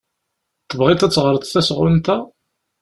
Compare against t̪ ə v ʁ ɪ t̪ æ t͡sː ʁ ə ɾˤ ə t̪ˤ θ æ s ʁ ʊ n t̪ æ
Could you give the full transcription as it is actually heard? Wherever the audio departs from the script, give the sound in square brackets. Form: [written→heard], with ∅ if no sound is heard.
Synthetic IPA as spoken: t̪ ə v ʁ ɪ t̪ æ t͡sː ʁ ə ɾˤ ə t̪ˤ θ æ s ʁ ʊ n t̪ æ